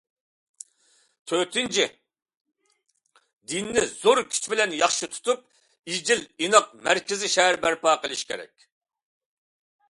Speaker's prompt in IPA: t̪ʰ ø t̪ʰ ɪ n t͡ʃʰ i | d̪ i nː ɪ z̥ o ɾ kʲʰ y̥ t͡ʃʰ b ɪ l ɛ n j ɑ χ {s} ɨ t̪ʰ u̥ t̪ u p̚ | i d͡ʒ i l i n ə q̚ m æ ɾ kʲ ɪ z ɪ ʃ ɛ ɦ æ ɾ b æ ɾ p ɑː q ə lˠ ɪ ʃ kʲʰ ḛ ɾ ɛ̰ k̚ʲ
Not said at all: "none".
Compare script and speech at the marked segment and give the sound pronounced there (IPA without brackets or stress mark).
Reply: ʃ